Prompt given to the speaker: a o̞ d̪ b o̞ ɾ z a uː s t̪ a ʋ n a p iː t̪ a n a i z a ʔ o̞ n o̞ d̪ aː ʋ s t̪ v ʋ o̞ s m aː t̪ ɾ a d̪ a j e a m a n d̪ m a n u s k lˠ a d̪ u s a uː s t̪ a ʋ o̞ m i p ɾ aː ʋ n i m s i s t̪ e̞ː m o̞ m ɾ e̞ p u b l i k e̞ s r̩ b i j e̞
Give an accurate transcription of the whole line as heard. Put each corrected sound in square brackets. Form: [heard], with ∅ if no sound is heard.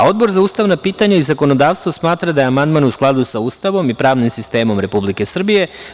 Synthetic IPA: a o̞ d̪ b o̞ ɾ z a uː s t̪ a ʋ n a p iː t̪ a [ɲ] a i z a [k] o̞ n o̞ d̪ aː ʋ s t̪ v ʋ o̞ s m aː t̪ ɾ a d̪ a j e a m a n d̪ m a n u s k lˠ a d̪ u s a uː s t̪ a ʋ o̞ m i p ɾ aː ʋ n i m s i s t̪ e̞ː m o̞ m ɾ e̞ p u b l i k e̞ s r̩ b i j e̞